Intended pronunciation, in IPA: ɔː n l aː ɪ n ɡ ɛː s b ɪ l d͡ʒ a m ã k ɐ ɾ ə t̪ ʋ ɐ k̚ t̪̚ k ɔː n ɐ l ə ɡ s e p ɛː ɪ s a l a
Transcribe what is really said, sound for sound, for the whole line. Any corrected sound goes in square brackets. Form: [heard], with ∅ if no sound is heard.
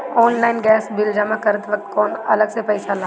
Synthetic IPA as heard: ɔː n l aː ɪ n ɡ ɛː s b ɪ l d͡ʒ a m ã k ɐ ɾ ə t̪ ʋ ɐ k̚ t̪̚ k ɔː n ɐ l ə ɡ s e p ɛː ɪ s a l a